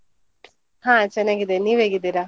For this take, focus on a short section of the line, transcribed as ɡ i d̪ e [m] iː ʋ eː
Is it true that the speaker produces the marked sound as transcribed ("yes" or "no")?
no